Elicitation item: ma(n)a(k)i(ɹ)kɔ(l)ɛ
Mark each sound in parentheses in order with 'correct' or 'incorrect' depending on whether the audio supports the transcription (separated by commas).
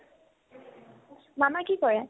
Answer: incorrect, correct, incorrect, incorrect